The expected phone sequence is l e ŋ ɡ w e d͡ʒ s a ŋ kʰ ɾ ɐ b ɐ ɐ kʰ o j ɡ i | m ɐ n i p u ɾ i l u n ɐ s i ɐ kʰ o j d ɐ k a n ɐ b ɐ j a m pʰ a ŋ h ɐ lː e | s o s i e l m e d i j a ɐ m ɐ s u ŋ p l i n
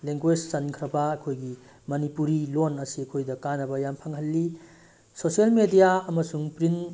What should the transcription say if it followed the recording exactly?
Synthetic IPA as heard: l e ŋ ɡ w e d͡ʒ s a n kʰ ɾ ɐ b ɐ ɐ kʰ o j ɡ i | m ɐ n i p u ɾ i l o n ɐ s i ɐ kʰ o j d ɐ k a n ɐ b ɐ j a m pʰ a ŋ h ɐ lː i | s o s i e l m e d i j a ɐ m ɐ s u ŋ p ɾ i n